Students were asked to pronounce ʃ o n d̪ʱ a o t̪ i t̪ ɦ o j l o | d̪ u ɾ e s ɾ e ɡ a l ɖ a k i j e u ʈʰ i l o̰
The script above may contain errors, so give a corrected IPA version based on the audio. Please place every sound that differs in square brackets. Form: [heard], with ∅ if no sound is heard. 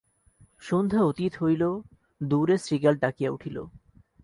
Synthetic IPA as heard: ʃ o n d̪ʱ a o t̪ i t̪ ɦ o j l o | d̪ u ɾ e s ɾ [i] ɡ a l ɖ a k i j [a] u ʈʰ i l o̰

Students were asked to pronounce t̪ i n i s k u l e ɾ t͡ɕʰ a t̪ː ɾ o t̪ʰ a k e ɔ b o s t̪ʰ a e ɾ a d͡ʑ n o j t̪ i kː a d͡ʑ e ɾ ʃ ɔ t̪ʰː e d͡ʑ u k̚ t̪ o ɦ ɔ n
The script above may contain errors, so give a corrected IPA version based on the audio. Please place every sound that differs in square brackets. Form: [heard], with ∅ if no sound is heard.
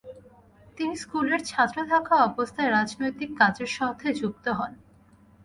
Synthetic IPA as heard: t̪ i n i s k u l e ɾ t͡ɕʰ a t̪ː ɾ o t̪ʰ a k [a] ɔ b o s t̪ʰ a e ɾ a d͡ʑ n o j t̪ i kː a d͡ʑ e ɾ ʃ ɔ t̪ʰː e d͡ʑ u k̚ t̪ o ɦ ɔ n

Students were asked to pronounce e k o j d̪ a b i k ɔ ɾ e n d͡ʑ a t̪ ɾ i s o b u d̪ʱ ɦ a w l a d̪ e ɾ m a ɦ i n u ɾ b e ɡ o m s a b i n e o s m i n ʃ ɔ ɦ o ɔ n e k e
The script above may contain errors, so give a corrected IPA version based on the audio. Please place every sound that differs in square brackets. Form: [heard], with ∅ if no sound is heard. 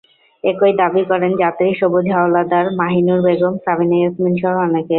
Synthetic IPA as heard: e k o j d̪ a b i k ɔ ɾ e n d͡ʑ a t̪ ɾ i [ʃ] o b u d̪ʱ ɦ a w l a d̪ [a] ɾ m a ɦ i n u ɾ b e ɡ o m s a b i n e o s m i n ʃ ɔ ɦ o ɔ n e k e

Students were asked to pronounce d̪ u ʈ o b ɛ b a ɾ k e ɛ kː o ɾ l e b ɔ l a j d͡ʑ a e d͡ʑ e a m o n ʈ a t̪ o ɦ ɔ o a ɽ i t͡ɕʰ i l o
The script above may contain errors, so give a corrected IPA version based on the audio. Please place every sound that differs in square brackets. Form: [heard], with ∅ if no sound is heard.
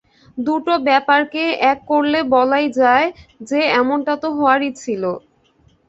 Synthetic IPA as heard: d̪ u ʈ o b ɛ [p] a ɾ k e ɛ kː o ɾ l e b ɔ l a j d͡ʑ a e d͡ʑ e [ɛ] m o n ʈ a t̪ o ɦ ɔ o a [ɾ] i t͡ɕʰ i l o

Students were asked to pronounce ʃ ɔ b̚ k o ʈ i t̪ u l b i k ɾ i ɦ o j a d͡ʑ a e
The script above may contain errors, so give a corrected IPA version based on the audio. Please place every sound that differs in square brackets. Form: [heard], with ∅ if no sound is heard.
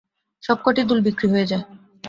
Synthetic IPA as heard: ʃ ɔ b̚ k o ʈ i [d̪] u l b i k ɾ i ɦ o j [e] d͡ʑ a e

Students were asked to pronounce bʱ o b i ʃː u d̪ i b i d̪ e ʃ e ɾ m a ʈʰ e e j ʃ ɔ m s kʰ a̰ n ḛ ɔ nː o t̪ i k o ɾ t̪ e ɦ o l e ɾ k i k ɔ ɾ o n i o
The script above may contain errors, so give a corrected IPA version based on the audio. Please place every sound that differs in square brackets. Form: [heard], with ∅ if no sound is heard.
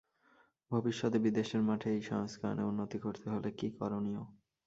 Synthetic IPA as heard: bʱ o b i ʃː [ɔ] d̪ [e] b i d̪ e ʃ e ɾ m a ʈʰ e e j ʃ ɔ [ŋ] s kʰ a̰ n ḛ [u] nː o t̪ i k o ɾ t̪ e ɦ o l e [∅] k i k ɔ ɾ o n i o

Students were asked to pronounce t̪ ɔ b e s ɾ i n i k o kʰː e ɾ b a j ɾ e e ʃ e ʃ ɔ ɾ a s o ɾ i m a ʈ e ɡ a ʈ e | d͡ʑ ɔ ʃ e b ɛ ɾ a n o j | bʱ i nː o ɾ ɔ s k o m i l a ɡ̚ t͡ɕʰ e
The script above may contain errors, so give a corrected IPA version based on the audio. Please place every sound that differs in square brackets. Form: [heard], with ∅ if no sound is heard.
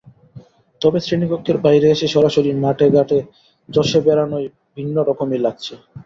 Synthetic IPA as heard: t̪ ɔ b e s ɾ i n i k o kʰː e ɾ b a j ɾ e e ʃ e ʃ ɔ ɾ a [ʃ] o ɾ i m a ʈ e ɡ a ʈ e | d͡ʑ ɔ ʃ e b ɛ ɾ a n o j | bʱ i nː o ɾ ɔ [∅] k o m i l a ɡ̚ t͡ɕʰ e

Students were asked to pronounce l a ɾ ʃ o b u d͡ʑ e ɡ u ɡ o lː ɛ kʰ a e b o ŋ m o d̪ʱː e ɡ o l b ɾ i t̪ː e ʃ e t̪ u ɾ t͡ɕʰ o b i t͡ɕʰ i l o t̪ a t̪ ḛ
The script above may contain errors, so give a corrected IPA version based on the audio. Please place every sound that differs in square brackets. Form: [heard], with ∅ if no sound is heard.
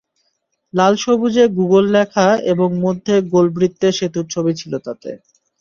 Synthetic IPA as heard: l a [l] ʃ o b u d͡ʑ e ɡ u ɡ o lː ɛ kʰ a e b o ŋ m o d̪ʱː e ɡ o l b ɾ i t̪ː e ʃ e t̪ u ɾ t͡ɕʰ o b i t͡ɕʰ i l o t̪ a t̪ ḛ

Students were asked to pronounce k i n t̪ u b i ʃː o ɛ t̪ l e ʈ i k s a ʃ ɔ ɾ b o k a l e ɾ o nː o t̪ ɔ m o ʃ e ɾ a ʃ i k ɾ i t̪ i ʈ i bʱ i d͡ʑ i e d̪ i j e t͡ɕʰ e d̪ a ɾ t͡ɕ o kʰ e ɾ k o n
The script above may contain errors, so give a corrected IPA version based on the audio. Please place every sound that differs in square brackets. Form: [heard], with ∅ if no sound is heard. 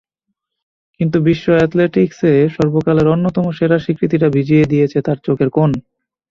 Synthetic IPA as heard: k i n t̪ u b i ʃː o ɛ t̪ l e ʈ i k s [e] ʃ ɔ ɾ b o k a l e ɾ o nː o t̪ ɔ m o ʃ e ɾ a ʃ i k ɾ i t̪ i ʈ [a] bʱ i d͡ʑ i e d̪ i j e t͡ɕʰ e [t̪] a ɾ t͡ɕ o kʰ e ɾ k o n

